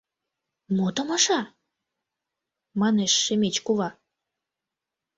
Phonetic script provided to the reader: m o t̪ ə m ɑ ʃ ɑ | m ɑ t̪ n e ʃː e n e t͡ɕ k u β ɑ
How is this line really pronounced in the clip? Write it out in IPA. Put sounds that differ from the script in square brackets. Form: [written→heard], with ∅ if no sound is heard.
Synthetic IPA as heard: m o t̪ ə m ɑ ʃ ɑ | m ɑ [t̪→∅] n e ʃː e [n→m] e t͡ɕ k u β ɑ

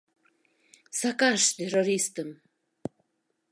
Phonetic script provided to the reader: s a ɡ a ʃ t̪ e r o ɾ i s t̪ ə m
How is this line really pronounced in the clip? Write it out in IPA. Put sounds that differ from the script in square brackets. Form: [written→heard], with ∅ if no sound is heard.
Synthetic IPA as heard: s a [ɡ→k] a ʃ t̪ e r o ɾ i s t̪ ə m

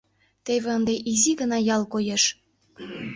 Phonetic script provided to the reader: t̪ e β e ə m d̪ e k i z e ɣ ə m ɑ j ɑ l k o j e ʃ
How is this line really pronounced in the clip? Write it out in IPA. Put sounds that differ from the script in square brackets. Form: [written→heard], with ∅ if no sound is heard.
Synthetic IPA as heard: t̪ e β e ə [m→n] d̪ e [k→ʔ] i z [e→i] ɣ ə [m→n] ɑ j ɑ l k o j e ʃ

